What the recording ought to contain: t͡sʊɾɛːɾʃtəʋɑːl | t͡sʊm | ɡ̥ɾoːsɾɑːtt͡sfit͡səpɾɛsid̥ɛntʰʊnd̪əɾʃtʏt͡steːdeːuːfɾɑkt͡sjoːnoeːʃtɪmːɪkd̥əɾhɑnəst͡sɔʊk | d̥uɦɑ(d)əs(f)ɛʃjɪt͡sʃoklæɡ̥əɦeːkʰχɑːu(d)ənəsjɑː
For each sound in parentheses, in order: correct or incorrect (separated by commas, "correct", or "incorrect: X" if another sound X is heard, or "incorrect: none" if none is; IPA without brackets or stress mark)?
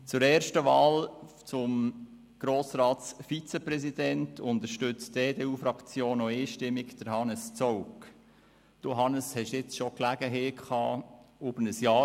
incorrect: n, incorrect: h, incorrect: b